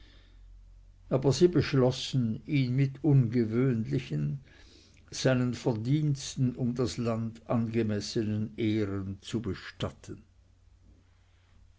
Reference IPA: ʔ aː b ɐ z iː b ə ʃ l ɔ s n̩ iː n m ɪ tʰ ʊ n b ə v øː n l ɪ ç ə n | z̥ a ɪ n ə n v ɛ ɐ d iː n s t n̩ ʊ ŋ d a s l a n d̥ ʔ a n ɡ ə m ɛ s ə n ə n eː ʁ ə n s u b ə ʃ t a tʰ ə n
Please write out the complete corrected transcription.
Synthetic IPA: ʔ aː b ɐ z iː b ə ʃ l ɔ s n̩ iː n m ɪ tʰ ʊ n ɡ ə v øː n l ɪ ç ə n | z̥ a ɪ n ə n f ɛ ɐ d iː n s t n̩ ʊ m d a s l a n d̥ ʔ a n ɡ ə m ɛ s ə n ə n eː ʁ ə n t͡s u b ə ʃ t a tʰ ə n